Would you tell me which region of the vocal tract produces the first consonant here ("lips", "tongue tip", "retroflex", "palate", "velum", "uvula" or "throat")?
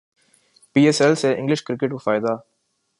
lips